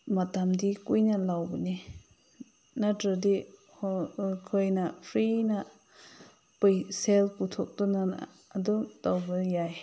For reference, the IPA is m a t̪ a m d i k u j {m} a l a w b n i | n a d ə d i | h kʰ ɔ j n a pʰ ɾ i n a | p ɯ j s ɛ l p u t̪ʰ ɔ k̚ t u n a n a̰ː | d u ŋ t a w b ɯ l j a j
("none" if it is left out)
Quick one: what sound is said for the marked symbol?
n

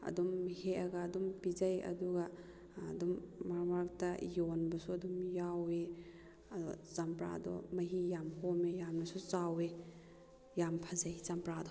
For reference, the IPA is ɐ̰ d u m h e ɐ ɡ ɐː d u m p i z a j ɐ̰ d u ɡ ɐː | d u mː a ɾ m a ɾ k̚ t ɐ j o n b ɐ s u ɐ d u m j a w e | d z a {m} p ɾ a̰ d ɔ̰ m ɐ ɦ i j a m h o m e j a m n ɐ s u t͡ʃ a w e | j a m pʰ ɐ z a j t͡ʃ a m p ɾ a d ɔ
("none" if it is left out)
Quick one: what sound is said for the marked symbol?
m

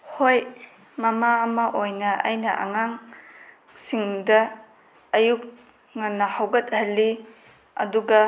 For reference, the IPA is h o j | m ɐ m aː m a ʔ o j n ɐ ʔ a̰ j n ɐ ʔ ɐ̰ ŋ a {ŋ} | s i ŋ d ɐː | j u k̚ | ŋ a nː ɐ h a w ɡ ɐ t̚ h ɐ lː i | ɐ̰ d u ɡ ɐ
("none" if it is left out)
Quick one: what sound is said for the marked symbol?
ŋ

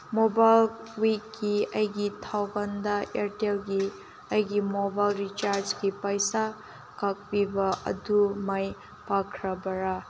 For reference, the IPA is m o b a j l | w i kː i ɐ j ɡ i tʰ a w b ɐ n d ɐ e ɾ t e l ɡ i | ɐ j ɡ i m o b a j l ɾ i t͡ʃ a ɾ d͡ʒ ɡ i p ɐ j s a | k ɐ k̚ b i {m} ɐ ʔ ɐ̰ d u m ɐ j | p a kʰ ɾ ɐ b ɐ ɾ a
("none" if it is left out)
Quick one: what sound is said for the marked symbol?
b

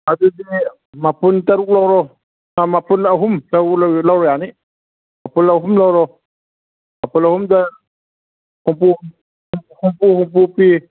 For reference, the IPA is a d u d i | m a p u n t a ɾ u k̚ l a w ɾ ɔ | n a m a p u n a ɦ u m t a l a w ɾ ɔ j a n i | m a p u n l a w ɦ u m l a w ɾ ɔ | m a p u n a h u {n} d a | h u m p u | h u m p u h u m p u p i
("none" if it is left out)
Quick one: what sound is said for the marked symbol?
m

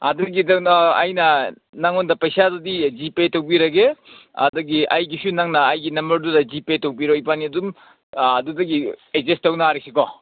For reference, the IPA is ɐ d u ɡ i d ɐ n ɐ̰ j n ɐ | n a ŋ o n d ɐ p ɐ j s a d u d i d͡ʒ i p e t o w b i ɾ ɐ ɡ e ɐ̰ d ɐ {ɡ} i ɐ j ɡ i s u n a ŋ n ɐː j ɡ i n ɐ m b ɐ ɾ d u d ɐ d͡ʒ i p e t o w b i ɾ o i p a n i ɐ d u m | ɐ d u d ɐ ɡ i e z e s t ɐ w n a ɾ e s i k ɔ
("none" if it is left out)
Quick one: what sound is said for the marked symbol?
ɡ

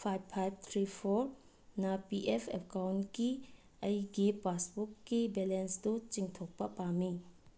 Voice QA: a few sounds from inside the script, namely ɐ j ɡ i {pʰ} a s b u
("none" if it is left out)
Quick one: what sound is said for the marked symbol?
p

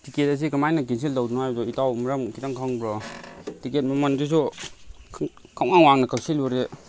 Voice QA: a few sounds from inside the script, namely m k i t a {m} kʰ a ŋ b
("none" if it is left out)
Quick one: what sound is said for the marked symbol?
ŋ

